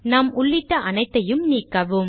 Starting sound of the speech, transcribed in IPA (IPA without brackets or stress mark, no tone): n